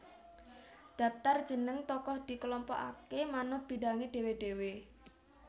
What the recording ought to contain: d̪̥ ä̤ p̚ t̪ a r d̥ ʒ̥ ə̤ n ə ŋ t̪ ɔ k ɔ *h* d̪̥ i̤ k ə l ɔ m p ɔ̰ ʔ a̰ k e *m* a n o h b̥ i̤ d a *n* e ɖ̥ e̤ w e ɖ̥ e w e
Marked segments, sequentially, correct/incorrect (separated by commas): correct, correct, incorrect